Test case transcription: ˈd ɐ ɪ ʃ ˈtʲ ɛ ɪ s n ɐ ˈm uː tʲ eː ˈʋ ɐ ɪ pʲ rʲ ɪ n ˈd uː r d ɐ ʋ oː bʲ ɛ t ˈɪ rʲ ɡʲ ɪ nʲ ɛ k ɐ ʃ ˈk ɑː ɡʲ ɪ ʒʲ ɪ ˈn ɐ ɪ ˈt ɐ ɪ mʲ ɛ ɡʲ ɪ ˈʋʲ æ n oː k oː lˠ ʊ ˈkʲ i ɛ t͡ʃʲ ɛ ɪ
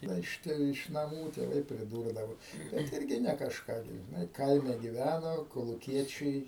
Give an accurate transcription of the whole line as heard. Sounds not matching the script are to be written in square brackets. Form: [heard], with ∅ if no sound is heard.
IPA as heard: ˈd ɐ ɪ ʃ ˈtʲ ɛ ɪ [ʃ] n ɐ ˈm uː tʲ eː ˈʋ ɐ ɪ pʲ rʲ ɪ [∅] ˈd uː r d ɐ ʋ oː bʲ ɛ t ˈɪ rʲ ɡʲ ɪ nʲ ɛ k ɐ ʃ ˈk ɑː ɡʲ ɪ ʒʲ ɪ ˈn ɐ ɪ [ˈk] ɐ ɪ mʲ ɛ ɡʲ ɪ ˈʋʲ æ n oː k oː lˠ ʊ ˈkʲ i ɛ t͡ʃʲ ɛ ɪ